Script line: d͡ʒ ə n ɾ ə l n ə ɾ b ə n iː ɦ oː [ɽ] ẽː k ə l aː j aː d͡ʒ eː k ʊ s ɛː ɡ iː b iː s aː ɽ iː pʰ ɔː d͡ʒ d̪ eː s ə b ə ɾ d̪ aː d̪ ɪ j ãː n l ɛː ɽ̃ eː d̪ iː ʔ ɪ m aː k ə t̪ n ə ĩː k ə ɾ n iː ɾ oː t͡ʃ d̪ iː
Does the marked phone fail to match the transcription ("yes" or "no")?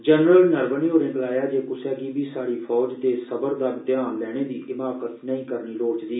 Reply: yes